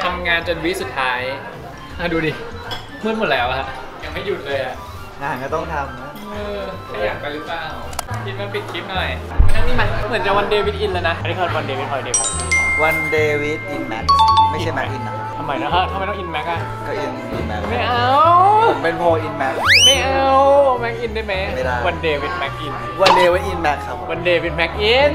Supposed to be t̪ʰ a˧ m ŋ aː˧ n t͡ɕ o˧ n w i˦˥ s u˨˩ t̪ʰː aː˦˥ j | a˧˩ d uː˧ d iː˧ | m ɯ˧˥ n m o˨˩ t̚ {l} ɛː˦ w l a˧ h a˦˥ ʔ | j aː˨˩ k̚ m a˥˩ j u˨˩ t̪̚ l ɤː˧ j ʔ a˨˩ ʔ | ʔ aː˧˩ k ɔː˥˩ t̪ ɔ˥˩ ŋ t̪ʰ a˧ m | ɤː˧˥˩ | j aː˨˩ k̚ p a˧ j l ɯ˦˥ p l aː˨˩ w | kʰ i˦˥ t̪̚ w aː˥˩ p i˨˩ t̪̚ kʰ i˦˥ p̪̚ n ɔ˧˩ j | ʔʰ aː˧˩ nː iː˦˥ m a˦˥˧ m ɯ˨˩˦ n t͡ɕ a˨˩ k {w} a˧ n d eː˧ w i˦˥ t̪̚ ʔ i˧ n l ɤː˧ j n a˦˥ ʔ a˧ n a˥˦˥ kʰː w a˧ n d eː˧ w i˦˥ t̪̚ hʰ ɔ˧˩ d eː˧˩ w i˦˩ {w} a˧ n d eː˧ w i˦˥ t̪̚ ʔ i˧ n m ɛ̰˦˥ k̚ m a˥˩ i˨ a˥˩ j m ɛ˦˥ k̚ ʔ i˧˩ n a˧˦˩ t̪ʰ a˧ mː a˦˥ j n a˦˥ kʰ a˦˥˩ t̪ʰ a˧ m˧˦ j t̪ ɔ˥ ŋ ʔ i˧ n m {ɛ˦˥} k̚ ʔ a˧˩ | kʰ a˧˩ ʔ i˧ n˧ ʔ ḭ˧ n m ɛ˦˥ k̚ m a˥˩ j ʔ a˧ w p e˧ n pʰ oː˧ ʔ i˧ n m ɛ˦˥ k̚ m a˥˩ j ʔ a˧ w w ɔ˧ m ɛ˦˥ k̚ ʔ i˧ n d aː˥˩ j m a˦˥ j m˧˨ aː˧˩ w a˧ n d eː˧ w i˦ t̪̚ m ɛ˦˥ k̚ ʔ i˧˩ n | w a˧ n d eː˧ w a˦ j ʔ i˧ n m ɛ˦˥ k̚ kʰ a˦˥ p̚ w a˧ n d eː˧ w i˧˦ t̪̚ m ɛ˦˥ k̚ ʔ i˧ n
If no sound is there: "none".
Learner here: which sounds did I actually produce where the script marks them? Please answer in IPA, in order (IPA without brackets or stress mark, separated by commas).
l, w, w, ɛ˦˥